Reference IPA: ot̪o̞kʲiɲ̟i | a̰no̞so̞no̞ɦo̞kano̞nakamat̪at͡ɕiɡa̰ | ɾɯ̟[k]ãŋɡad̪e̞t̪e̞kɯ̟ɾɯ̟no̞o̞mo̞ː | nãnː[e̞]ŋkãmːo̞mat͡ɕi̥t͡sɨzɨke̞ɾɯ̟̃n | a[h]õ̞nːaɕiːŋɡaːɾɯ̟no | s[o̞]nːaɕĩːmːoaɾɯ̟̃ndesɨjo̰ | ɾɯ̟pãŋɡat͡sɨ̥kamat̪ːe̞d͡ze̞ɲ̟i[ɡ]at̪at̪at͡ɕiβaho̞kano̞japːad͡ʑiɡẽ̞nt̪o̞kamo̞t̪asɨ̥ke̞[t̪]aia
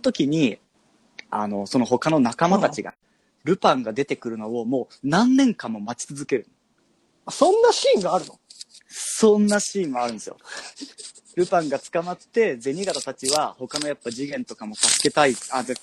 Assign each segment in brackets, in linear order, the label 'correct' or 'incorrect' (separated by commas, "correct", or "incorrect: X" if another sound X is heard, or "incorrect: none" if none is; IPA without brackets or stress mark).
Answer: incorrect: p, incorrect: ẽ̞, incorrect: s, incorrect: õ̞, correct, correct